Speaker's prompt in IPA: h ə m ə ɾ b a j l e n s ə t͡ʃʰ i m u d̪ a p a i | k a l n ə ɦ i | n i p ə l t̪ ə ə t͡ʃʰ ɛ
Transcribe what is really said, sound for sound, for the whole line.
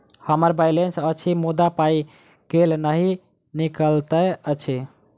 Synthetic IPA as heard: h ə m ə ɾ b a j l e n s ə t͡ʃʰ i m u d̪ a p a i | k e l n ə ɦ i | n i k ə l t̪ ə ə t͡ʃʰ i